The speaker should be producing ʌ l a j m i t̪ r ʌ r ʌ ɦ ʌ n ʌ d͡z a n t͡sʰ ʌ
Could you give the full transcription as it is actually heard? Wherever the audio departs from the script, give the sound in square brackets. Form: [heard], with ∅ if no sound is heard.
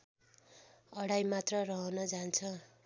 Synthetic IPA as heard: ʌ [ɽ] a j m [a] t̪ r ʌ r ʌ ɦ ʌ n ʌ d͡z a n t͡sʰ ʌ